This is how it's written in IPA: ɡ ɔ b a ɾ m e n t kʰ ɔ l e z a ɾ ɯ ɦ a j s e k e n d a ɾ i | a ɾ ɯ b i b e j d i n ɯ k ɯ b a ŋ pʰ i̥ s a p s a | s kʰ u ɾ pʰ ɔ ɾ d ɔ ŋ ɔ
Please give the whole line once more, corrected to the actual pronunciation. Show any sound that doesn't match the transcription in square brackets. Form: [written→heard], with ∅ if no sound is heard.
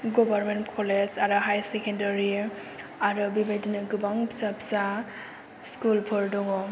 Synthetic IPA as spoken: ɡ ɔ b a ɾ m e n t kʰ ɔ l e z a ɾ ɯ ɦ a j s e k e n d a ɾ i | a ɾ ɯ b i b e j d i n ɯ [k→ɡ] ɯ b a ŋ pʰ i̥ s a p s a | s [kʰ→k] u [ɾ→l] pʰ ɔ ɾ d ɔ ŋ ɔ

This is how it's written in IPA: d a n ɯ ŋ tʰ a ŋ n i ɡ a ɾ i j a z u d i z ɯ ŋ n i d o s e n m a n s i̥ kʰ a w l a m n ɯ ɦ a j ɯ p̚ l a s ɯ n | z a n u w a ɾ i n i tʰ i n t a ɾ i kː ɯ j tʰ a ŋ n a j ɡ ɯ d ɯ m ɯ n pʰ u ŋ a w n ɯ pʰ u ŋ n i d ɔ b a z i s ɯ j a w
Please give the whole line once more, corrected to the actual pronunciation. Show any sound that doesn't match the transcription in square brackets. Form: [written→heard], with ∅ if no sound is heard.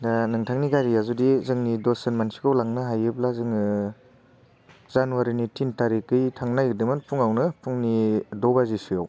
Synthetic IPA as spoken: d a n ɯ ŋ tʰ a ŋ n i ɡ a ɾ i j a z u d i z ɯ ŋ n i d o s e n m a n s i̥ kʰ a w l a [m→ŋ] n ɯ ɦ a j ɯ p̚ l a [s→z] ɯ [n→ŋ] | z a n u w a ɾ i n i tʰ i n t a ɾ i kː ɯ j tʰ a ŋ n a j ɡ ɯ d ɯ m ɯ n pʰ u ŋ a w n ɯ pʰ u ŋ n i d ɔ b a z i s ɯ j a w

